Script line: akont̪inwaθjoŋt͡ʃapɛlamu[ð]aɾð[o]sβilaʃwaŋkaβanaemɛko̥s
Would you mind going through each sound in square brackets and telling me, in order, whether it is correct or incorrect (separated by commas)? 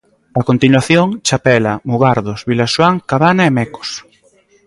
incorrect, correct